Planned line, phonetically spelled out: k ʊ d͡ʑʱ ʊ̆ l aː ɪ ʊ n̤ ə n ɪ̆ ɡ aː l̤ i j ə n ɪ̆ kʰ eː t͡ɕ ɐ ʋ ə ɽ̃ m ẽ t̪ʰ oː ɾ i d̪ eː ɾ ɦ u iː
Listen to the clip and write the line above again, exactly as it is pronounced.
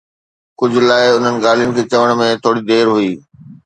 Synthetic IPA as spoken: k ʊ d͡ʑʱ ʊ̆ l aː ɪ ʊ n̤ ə n ɪ̆ ɡ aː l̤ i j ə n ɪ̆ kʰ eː t͡ɕ ɐ ʋ ə ɽ̃ m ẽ t̪ʰ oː ɽ i d̪ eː ɾ ɦ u iː